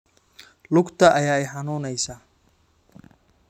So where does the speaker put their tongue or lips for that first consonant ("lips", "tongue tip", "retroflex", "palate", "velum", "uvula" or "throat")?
tongue tip